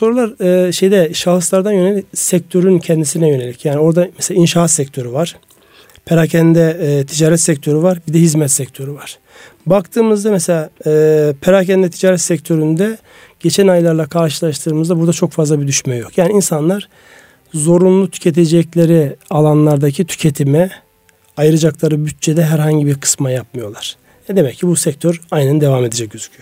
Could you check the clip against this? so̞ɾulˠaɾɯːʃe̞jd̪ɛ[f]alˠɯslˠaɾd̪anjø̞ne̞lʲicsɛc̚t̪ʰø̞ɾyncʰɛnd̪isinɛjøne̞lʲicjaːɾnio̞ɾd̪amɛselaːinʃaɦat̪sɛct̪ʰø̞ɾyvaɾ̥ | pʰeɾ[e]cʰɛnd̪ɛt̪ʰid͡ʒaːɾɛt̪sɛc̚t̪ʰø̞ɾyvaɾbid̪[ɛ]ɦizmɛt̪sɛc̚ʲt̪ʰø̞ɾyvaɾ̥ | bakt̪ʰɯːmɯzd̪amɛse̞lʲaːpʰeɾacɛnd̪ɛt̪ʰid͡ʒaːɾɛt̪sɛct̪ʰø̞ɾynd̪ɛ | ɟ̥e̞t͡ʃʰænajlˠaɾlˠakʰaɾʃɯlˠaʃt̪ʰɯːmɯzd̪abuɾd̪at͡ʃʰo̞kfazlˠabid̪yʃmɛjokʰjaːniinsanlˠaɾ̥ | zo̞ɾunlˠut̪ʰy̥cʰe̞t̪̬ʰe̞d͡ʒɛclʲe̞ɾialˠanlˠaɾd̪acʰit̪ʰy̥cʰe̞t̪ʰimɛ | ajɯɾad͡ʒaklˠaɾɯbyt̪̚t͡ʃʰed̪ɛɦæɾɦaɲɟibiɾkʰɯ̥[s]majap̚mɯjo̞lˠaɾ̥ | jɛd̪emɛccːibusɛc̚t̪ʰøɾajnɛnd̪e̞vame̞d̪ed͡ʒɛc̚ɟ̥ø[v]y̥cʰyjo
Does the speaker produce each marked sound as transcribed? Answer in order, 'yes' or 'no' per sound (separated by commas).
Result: no, no, yes, yes, no